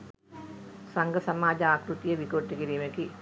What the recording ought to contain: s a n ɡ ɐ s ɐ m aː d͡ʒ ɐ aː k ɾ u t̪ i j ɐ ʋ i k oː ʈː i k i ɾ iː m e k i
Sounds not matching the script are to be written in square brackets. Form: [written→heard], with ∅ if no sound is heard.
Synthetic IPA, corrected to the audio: s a [n→ŋ] ɡ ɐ s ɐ m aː d͡ʒ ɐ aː k ɾ u t̪ i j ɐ ʋ i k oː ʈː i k i ɾ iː m e k i